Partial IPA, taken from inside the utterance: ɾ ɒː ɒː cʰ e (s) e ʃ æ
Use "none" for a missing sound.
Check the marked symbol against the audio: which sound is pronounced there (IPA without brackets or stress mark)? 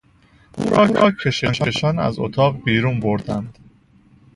ʃ